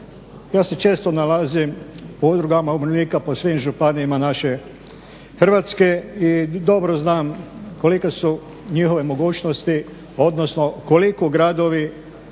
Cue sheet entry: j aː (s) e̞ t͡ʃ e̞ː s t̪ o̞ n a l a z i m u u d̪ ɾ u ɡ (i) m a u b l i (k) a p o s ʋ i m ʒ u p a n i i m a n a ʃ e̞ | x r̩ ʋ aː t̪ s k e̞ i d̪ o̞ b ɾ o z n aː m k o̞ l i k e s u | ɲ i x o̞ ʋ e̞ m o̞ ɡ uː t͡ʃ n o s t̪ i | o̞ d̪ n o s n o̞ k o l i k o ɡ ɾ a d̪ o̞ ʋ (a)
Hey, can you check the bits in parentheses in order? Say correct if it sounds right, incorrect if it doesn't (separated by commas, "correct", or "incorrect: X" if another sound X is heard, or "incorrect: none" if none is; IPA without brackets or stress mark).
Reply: correct, incorrect: a, correct, incorrect: i